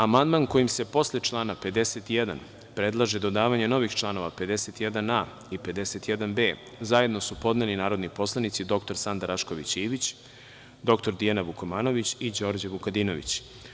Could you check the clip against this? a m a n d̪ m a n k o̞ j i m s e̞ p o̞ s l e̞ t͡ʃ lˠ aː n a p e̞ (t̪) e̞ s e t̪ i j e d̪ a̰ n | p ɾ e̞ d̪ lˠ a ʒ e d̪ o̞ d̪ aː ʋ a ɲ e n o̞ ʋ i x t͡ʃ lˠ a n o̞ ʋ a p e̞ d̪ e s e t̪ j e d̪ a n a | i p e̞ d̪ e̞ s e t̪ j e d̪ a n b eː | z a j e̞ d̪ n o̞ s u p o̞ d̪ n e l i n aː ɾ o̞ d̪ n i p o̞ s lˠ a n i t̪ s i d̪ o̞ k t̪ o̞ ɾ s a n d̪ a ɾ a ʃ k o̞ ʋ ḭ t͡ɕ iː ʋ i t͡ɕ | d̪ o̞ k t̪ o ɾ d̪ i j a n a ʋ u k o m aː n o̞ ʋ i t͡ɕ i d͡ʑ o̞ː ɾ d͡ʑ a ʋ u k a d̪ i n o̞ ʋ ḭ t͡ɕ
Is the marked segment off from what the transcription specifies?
yes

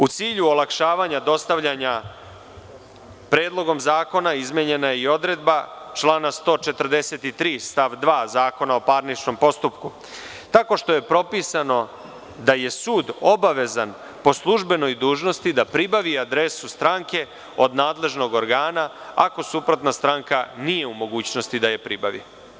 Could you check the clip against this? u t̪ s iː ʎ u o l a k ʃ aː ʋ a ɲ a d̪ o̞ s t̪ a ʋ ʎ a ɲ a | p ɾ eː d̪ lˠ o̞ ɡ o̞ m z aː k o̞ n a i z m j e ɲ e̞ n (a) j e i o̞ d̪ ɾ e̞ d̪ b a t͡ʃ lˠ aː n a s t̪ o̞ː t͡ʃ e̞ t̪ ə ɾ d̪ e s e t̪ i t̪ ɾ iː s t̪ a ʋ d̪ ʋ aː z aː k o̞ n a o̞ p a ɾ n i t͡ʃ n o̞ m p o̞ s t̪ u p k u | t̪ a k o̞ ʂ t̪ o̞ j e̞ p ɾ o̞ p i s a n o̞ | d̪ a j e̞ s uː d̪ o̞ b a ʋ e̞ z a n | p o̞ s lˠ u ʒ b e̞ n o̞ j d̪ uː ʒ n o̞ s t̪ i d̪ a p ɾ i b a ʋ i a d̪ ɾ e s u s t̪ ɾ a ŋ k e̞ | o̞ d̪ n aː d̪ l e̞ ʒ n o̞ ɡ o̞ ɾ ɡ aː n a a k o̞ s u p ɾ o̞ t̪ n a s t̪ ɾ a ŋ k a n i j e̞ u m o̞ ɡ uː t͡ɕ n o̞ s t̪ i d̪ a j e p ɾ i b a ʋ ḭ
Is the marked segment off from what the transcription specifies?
no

